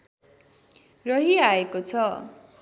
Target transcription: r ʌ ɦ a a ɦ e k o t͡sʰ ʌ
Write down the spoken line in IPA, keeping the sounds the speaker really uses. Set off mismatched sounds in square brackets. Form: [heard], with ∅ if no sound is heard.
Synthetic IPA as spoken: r ʌ ɦ [i] a [∅] e k o t͡sʰ ʌ